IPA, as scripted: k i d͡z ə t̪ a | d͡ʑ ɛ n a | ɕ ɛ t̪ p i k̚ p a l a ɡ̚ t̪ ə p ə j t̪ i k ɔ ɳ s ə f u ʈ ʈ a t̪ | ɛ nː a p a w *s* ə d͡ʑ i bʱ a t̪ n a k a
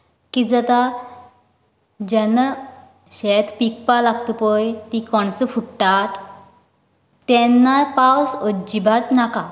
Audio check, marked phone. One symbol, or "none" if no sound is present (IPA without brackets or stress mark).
s